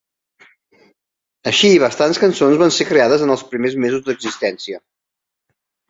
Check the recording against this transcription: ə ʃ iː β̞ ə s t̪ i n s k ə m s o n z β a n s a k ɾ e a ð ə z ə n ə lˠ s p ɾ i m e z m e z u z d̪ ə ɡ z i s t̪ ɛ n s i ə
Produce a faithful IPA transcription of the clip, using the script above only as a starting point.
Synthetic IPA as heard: ə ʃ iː β̞ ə s t̪ a n s k ə n s o n z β a n s e k ɾ e a ð ə z ə n ə lˠ s p ɾ i m e z m e z u z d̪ ə ɡ z i s t̪ ɛ n s i ə